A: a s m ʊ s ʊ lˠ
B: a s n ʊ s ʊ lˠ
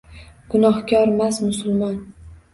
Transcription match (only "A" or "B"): A